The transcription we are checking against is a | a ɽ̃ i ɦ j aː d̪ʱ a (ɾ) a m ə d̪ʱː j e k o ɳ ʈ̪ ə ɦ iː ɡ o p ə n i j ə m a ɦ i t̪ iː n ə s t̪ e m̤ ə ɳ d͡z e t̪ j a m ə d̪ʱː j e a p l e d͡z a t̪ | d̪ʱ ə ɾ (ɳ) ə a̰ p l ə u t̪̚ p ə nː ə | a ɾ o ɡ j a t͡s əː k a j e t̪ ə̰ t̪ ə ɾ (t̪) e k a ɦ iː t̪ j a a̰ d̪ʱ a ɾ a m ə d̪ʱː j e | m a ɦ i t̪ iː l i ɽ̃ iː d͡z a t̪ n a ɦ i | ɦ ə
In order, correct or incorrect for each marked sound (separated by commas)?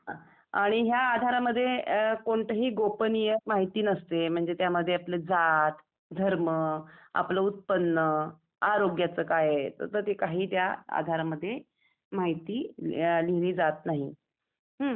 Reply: correct, incorrect, correct